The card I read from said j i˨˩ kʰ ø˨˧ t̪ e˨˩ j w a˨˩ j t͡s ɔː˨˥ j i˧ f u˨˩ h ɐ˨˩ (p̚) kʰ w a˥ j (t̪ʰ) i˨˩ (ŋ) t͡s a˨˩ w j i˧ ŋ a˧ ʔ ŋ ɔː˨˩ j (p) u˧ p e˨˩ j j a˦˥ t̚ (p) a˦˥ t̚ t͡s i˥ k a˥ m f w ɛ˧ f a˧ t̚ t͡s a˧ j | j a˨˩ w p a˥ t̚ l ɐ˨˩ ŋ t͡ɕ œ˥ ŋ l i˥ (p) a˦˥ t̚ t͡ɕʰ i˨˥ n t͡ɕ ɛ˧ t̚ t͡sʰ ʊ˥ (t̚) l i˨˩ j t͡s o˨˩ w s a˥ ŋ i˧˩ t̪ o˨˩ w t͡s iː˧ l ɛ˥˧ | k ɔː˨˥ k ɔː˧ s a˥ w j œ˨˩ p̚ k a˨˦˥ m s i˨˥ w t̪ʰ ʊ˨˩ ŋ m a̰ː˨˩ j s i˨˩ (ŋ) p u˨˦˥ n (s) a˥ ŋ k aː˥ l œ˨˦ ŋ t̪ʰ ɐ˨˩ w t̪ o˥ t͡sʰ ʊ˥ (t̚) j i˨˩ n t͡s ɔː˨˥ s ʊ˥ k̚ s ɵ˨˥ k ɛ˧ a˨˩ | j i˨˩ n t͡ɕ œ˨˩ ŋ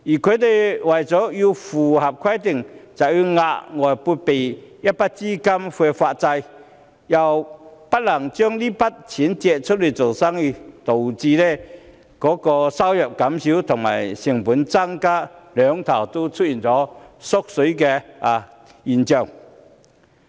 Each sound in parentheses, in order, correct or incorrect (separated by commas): correct, incorrect, correct, correct, correct, correct, correct, correct, incorrect, correct